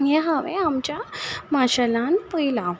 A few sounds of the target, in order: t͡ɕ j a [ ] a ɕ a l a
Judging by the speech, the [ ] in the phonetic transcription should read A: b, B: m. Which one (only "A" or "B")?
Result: B